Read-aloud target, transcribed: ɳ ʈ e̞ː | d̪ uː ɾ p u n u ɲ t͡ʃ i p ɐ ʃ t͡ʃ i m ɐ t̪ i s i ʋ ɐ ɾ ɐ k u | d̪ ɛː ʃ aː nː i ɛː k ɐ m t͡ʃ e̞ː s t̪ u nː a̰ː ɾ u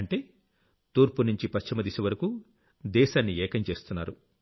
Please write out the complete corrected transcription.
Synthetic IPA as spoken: ɳ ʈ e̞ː | t̪ uː ɾ p u n u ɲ t͡ʃ i p ɐ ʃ t͡ʃ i m ɐ d̪ i s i ʋ ɐ ɾ ɐ k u | d̪ ɛː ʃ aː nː i ɛː k ɐ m t͡ʃ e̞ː s t̪ u nː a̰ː ɾ u